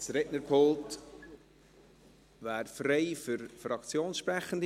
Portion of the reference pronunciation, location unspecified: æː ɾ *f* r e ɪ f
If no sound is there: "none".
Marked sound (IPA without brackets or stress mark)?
f